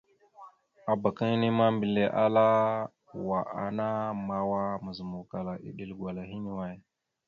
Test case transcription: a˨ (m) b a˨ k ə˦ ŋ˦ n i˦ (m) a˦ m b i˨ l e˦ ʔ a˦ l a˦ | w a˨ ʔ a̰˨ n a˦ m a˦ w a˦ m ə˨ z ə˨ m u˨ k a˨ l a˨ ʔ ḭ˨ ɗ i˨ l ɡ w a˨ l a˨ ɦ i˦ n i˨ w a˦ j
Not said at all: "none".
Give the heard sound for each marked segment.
none, m

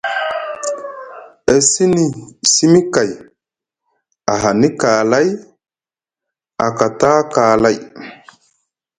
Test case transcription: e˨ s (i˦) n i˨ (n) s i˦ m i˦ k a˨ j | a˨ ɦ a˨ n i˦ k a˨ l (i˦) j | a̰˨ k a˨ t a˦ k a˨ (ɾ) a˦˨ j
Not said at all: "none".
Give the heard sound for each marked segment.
i˦, none, a˦, l

